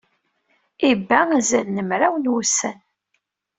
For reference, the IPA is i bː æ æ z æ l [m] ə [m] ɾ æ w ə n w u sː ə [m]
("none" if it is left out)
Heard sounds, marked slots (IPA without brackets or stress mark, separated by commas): n, m, n